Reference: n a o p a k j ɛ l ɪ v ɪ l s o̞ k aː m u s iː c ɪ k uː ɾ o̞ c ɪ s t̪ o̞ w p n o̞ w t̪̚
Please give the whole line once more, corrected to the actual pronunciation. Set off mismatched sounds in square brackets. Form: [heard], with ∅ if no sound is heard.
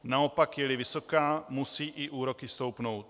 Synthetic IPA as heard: n a o p a k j ɛ l ɪ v ɪ [∅] s o̞ k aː m u s iː [ʔ] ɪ [ʔ] uː ɾ o̞ [k] ɪ s t̪ o̞ w p n o̞ w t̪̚